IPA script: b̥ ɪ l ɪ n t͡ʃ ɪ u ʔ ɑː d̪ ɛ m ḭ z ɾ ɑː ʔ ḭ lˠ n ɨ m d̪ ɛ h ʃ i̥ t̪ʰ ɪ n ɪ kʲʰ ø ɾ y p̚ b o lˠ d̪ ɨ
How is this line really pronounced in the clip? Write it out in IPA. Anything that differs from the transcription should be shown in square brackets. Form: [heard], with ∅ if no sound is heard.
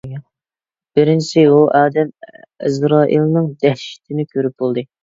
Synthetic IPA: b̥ ɪ [ɾ] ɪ n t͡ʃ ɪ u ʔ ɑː d̪ ɛ m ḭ z ɾ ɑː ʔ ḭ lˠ n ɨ [ŋ] d̪ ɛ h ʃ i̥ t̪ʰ ɪ n ɪ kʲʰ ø ɾ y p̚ b o lˠ d̪ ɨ